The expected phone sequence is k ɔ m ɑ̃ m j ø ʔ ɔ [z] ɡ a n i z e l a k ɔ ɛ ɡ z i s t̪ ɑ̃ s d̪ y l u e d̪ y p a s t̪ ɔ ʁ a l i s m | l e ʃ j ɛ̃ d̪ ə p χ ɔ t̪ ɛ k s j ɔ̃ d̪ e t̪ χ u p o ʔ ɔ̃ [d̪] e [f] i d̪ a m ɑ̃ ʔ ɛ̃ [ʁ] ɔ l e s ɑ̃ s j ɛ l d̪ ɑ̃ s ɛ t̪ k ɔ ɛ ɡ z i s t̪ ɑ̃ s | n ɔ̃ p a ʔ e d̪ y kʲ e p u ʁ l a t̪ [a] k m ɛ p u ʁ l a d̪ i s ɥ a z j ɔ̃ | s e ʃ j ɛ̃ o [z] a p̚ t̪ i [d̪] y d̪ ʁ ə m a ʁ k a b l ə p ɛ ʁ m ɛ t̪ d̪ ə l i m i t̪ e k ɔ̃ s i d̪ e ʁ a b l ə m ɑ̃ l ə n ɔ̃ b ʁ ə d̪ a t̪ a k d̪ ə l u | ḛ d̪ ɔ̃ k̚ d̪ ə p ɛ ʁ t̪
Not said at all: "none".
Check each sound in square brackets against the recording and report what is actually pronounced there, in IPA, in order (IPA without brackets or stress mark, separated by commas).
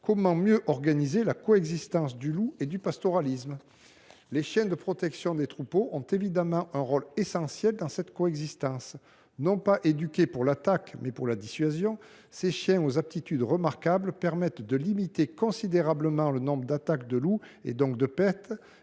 ʁ, t̪, v, ʁ, a, z, t̪